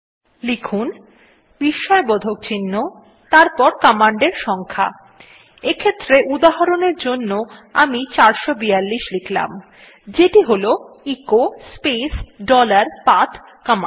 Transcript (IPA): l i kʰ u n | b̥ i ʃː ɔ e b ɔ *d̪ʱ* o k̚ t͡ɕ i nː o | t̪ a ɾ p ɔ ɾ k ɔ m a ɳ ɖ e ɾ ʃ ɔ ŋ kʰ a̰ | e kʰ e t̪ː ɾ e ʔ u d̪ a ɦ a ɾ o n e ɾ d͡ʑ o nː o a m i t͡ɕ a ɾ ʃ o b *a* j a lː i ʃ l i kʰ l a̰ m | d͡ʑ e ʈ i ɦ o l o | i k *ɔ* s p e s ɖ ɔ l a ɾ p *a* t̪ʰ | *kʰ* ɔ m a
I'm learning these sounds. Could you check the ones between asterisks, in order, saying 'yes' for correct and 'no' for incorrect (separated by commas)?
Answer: yes, no, no, yes, no